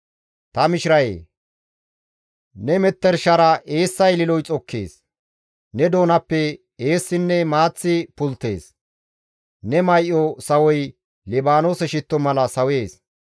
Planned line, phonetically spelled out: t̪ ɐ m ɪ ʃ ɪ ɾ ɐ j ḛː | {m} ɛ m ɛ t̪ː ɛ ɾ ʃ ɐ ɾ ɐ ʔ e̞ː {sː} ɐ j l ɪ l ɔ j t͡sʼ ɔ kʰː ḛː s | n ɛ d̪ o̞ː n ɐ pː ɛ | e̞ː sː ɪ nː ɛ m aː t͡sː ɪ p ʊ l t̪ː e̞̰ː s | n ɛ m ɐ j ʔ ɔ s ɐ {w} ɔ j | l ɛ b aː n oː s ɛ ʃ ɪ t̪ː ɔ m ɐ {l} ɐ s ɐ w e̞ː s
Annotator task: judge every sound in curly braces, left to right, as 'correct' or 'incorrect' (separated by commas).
incorrect, correct, correct, correct